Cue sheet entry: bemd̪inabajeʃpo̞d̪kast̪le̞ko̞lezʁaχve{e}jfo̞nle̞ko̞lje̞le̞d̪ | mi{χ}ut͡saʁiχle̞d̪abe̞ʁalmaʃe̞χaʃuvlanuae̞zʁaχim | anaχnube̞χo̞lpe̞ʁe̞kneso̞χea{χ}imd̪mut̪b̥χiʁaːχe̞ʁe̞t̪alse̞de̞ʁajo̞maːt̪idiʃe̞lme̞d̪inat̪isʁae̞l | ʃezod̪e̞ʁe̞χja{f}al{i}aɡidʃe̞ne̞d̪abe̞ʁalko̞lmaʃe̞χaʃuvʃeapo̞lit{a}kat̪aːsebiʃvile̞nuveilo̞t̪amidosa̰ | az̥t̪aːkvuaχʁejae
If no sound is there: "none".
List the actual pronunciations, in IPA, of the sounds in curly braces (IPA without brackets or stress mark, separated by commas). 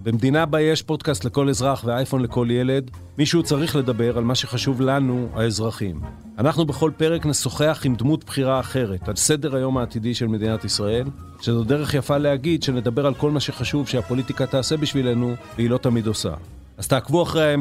a, ʃ, χ, f, e, i